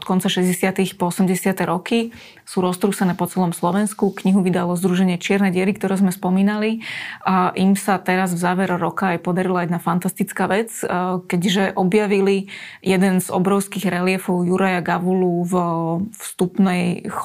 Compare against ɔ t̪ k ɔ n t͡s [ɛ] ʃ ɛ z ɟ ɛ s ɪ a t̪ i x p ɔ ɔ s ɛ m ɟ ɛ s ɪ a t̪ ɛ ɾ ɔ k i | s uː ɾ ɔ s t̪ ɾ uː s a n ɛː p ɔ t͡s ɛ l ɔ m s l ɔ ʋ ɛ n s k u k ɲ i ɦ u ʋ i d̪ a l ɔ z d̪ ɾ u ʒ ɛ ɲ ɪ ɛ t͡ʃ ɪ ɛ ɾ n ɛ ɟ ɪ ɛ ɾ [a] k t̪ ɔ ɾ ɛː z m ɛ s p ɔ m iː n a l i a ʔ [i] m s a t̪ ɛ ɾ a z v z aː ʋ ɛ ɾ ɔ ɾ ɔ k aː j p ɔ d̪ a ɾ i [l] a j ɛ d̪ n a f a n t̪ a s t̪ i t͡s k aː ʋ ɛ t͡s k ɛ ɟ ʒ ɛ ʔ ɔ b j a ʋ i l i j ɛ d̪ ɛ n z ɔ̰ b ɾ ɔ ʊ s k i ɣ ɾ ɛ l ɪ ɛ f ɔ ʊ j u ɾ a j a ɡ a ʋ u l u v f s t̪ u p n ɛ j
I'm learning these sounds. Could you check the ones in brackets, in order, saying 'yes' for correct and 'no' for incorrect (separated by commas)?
no, no, yes, yes